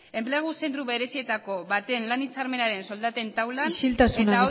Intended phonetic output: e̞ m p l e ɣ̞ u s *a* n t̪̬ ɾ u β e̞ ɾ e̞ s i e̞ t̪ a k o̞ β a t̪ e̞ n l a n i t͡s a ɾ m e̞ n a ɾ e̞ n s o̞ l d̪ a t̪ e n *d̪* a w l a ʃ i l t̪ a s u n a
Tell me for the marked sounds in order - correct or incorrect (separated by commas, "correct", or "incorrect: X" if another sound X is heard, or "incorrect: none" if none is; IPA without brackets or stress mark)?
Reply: incorrect: e, incorrect: t̪